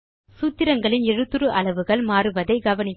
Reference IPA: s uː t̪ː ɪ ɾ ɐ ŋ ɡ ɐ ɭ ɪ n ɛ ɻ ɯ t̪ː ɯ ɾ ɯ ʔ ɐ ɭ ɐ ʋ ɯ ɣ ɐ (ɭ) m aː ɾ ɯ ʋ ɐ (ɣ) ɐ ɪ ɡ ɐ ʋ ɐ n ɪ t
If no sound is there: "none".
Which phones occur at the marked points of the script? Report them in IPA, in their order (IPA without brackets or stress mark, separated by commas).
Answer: ɭ, ð